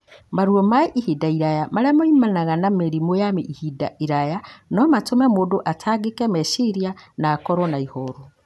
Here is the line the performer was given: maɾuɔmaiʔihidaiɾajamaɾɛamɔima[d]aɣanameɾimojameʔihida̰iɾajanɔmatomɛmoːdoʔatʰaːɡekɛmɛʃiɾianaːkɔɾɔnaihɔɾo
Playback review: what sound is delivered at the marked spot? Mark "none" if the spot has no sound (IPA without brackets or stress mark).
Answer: n